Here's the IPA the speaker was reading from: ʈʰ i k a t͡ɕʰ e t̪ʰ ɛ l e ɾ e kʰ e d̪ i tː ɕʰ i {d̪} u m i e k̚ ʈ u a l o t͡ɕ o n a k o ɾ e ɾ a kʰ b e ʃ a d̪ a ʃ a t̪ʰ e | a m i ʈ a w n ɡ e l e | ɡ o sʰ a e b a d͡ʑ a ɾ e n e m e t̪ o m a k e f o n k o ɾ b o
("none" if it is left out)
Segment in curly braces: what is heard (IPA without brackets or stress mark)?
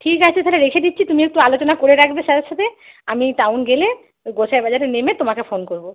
t̪